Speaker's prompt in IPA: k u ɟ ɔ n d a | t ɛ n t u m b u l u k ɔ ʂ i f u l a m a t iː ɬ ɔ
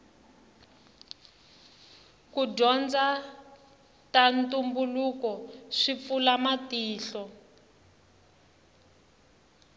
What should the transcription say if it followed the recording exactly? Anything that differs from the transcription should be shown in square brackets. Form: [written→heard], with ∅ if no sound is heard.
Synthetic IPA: k u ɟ ɔ n [d→d͡z] a | t [ɛ→a] n t u m b u l u k ɔ ʂ i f u l a m a t iː ɬ ɔ